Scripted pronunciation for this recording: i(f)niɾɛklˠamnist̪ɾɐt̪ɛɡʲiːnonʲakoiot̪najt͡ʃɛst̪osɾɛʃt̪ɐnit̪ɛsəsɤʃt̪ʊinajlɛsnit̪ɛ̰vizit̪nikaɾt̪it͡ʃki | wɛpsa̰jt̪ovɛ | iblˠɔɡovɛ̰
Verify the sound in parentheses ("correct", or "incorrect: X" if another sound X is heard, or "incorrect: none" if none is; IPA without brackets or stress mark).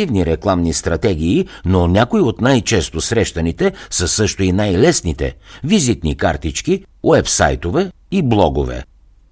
incorrect: v